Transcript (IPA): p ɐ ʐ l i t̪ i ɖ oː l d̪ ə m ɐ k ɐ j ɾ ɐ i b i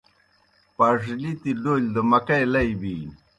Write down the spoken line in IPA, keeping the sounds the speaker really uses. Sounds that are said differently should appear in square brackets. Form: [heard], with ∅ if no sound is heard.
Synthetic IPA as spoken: p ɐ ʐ l i t̪ i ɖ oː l d̪ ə m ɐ k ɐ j [l] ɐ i b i